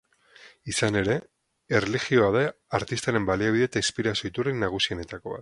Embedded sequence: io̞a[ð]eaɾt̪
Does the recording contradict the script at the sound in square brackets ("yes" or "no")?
no